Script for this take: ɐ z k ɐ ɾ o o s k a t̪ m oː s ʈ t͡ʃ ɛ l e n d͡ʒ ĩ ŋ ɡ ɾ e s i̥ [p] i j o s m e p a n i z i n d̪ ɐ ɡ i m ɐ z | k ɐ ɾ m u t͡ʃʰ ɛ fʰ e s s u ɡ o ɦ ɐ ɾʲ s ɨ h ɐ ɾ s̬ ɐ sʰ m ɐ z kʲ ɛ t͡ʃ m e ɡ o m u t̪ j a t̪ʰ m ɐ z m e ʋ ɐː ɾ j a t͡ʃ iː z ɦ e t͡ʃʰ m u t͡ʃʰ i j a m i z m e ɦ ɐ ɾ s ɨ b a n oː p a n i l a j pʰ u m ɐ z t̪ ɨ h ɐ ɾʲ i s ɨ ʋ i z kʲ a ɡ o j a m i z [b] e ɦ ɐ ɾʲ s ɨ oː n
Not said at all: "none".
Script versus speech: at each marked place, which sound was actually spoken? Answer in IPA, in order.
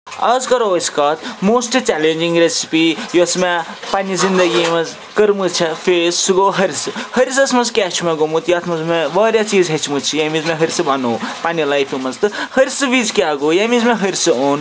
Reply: p, m

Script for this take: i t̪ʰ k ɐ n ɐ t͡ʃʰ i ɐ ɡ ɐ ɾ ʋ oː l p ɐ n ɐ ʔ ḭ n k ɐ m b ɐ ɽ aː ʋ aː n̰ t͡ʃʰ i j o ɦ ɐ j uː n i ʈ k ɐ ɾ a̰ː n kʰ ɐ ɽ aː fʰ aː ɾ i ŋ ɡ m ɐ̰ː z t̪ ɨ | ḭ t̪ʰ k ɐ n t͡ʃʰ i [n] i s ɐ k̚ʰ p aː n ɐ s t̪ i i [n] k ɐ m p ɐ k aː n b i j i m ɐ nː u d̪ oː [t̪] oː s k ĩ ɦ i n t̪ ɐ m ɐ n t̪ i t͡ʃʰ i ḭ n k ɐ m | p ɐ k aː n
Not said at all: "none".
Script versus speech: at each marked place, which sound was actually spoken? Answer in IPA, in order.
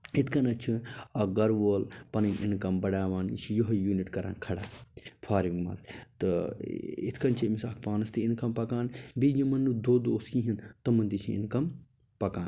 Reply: m, n, d̪

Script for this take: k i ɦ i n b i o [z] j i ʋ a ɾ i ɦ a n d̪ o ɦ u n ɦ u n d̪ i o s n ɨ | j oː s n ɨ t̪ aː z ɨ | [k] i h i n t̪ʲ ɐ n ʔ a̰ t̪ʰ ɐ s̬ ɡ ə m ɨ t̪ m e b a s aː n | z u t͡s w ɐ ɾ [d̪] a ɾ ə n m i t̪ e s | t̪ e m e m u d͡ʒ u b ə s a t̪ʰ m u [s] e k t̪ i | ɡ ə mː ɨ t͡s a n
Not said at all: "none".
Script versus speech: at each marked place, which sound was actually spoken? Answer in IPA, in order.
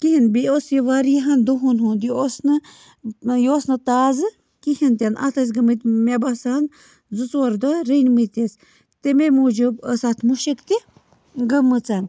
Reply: s, k, d̪, ʃ

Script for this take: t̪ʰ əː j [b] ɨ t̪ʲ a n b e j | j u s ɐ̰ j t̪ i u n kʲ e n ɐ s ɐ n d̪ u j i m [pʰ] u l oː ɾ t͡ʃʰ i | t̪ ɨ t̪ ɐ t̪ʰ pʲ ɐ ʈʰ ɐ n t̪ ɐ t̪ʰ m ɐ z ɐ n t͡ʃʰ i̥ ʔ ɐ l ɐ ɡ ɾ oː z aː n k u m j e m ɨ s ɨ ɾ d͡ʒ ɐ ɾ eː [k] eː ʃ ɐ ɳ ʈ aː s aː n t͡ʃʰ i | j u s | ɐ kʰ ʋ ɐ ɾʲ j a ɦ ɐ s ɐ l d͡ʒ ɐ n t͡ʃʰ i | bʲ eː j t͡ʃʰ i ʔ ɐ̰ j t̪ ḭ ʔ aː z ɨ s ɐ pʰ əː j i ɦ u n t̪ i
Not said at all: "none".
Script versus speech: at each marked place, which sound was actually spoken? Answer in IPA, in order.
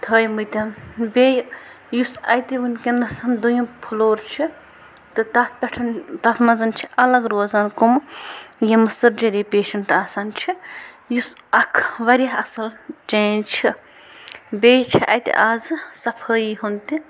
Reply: m, pʰ, p

